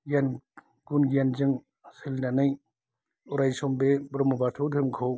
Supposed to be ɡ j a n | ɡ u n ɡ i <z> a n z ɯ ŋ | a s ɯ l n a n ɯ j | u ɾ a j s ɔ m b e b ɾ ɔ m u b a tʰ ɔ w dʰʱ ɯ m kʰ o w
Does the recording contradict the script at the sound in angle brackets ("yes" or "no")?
yes